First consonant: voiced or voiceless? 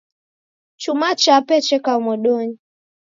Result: voiceless